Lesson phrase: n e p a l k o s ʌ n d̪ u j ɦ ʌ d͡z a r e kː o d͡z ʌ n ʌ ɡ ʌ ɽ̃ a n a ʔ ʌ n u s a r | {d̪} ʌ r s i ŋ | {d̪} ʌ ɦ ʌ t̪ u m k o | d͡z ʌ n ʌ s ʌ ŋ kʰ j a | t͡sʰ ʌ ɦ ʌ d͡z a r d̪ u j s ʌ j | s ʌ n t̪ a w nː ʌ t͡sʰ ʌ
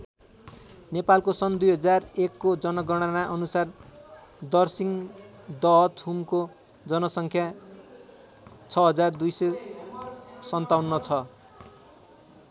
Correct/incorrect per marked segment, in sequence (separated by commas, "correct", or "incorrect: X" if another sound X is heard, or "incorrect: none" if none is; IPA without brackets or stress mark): correct, correct